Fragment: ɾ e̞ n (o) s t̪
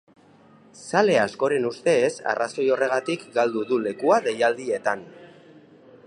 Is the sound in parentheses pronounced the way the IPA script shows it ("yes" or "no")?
no